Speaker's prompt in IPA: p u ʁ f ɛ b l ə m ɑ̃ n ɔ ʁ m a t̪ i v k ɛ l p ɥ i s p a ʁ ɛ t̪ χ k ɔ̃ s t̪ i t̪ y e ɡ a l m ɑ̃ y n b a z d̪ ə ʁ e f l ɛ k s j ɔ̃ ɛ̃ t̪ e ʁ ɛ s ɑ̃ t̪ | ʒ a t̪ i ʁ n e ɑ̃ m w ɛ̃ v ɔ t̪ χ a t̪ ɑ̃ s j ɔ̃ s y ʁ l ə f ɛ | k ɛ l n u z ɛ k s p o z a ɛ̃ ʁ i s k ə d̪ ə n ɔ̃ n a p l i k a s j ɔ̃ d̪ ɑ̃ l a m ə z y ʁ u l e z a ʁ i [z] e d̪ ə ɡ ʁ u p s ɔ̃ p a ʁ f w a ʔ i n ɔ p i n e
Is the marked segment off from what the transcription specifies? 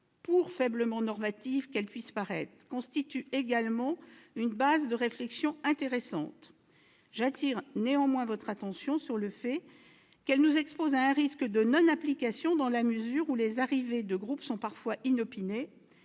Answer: yes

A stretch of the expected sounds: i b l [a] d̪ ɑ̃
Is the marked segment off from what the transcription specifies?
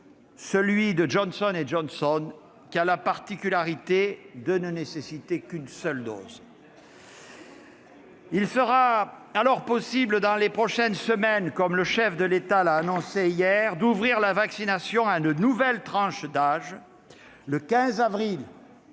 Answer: yes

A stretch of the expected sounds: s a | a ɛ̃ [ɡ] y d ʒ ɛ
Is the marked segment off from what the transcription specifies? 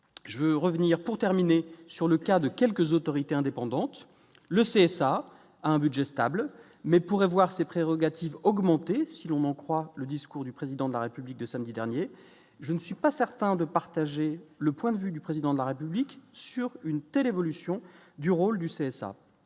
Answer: yes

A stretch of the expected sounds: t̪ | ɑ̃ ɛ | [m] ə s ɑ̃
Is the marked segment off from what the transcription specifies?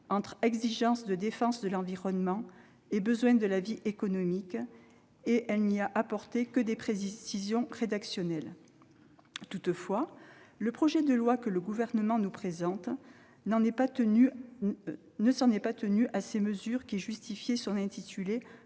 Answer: yes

